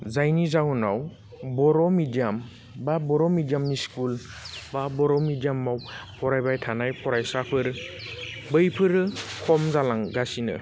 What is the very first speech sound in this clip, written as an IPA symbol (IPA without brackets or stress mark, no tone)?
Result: z